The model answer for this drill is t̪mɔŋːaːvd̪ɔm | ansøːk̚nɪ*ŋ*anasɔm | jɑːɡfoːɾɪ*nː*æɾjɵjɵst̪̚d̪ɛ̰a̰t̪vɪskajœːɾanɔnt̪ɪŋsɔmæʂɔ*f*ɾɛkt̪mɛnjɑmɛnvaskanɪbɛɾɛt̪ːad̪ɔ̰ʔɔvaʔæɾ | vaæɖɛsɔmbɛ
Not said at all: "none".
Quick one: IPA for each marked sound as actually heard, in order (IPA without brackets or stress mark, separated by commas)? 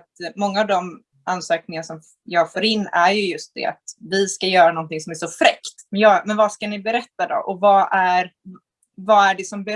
ŋ, nː, f